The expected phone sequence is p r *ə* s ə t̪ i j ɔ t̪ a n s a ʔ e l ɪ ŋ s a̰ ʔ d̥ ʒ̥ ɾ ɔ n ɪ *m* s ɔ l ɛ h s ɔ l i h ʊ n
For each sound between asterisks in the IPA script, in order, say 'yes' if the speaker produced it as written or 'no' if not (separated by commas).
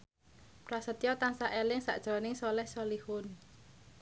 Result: no, no